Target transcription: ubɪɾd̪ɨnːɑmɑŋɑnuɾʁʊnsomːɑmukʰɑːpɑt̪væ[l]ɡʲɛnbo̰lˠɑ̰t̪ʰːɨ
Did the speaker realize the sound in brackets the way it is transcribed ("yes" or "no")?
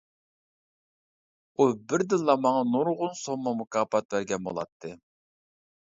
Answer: no